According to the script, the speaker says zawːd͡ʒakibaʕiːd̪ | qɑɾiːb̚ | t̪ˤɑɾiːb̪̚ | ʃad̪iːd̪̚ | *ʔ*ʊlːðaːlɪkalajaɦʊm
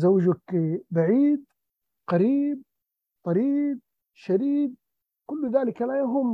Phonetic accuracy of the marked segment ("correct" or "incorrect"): incorrect